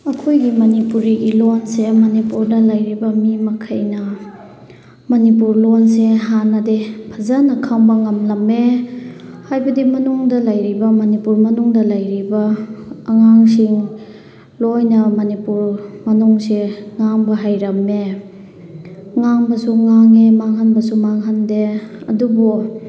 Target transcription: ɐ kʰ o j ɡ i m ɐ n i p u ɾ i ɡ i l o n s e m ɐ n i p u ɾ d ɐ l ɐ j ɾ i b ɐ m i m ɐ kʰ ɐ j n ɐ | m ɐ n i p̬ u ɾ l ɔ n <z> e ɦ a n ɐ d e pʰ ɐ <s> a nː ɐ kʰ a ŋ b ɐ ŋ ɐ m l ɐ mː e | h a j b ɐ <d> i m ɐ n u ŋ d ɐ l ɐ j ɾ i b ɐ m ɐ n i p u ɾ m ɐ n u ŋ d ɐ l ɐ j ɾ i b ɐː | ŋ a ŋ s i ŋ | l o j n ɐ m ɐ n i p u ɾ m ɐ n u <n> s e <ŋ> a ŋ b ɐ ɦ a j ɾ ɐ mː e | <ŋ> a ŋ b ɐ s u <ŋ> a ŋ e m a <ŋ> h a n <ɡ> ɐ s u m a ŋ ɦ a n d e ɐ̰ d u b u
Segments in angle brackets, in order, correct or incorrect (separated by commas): incorrect, incorrect, correct, incorrect, correct, correct, correct, correct, incorrect